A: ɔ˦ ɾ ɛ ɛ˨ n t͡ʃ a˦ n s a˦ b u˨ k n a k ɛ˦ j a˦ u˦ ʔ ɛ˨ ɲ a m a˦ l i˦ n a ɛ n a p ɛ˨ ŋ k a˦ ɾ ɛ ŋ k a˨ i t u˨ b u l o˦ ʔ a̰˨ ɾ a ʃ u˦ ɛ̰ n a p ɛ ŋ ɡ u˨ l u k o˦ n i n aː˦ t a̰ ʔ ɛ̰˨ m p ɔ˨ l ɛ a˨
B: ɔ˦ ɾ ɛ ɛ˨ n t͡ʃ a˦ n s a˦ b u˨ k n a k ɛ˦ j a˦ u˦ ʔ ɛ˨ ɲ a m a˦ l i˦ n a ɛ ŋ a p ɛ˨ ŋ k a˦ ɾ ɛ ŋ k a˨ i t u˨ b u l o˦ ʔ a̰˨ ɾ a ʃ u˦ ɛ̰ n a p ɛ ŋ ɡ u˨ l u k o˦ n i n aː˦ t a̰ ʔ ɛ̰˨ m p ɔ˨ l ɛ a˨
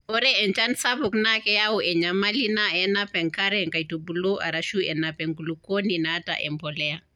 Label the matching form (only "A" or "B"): A